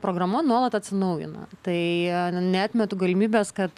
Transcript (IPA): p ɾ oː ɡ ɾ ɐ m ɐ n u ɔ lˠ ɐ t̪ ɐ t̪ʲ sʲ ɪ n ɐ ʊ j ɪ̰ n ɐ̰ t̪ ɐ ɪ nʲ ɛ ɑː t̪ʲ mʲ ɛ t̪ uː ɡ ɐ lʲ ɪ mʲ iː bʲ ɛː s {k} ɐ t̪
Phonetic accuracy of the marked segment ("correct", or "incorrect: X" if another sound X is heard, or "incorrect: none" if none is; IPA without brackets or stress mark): correct